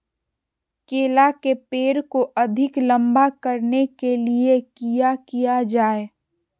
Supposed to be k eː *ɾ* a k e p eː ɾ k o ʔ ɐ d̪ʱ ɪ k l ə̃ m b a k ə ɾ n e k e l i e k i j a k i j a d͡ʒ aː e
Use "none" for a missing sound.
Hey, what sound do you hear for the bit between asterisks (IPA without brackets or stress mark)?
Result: l